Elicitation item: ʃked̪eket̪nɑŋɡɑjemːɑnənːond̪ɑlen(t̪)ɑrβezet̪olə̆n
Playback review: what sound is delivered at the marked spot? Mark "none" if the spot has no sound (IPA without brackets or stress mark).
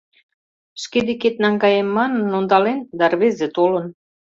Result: d̪